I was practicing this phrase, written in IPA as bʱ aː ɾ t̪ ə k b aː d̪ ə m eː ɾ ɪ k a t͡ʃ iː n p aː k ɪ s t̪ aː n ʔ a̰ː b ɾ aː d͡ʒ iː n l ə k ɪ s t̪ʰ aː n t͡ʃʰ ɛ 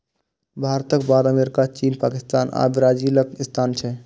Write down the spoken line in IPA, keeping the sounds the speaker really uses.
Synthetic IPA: bʱ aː ɾ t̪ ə k b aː d̪ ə m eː ɾ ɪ k a t͡ʃ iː n p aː k ɪ s t̪ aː n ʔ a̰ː b ɾ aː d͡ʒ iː l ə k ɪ s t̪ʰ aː n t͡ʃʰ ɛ